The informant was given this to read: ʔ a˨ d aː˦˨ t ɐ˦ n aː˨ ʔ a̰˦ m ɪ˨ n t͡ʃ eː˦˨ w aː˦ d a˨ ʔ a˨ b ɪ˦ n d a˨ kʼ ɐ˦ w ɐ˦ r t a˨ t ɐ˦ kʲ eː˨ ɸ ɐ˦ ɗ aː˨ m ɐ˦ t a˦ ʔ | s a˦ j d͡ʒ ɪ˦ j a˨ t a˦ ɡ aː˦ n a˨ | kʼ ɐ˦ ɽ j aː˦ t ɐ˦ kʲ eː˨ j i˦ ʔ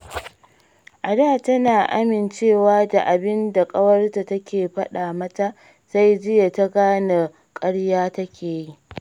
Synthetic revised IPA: ʔ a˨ d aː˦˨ t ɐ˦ n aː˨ ʔ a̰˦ m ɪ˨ n t͡ʃ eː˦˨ w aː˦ d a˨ ʔ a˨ b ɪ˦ n d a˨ kʼ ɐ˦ w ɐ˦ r t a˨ t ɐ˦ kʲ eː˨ ɸ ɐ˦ ɗ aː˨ m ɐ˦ t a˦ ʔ | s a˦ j d͡ʒ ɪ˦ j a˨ t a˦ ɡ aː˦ n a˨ | kʼ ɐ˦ ɽ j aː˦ t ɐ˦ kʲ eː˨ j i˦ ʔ